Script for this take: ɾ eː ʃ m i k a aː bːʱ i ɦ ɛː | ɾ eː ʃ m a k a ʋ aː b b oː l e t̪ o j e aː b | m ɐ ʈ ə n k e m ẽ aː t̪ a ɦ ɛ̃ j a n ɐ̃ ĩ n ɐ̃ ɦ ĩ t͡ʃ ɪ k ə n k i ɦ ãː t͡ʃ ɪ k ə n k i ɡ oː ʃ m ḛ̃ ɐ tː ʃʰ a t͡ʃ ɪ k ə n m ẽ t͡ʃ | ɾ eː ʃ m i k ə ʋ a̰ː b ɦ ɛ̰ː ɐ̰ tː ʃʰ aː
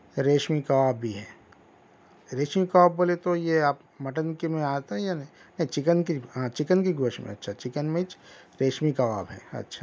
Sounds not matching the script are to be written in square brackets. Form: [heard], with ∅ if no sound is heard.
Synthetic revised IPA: ɾ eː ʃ m i k a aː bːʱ i ɦ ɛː | ɾ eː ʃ m [i] k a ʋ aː b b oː l e t̪ o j e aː [p] | m ɐ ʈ ə n k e m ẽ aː t̪ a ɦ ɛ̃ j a n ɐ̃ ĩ n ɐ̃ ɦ ĩ t͡ʃ ɪ k ə n k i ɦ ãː t͡ʃ ɪ k ə n k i ɡ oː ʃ m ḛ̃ ɐ tː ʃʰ a t͡ʃ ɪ k ə n m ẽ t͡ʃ | ɾ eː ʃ m i k [a] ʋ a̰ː b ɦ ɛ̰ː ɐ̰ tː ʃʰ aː